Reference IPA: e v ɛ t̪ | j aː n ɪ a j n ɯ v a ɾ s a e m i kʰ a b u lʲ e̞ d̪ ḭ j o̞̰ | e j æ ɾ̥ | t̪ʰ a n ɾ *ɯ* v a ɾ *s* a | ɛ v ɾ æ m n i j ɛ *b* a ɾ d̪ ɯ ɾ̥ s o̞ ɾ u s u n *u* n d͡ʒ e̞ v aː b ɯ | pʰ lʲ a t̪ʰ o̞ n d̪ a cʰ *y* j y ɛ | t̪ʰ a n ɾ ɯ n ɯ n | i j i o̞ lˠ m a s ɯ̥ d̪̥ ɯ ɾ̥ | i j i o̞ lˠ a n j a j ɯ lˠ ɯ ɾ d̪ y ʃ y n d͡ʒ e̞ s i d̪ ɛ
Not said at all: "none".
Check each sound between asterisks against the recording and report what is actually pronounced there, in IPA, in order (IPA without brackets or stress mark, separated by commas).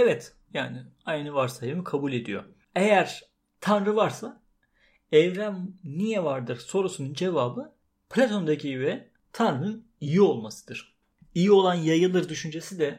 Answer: ɯ, s, v, u, i